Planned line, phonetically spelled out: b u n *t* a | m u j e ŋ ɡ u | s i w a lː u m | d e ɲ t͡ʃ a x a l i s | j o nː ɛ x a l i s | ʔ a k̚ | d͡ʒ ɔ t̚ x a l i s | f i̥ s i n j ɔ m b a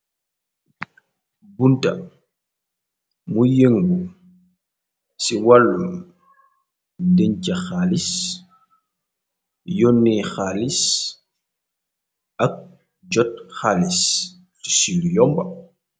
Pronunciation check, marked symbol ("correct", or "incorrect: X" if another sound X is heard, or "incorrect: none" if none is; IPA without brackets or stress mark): correct